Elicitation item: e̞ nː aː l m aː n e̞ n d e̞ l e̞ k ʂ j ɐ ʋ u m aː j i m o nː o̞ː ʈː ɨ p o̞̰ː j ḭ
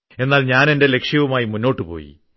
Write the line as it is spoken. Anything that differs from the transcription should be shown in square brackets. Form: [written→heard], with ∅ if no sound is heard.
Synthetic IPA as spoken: e̞ nː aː l [m→ɲ] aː n e̞ n d e̞ l e̞ k ʂ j ɐ ʋ u m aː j i m [o→u] nː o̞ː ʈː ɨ p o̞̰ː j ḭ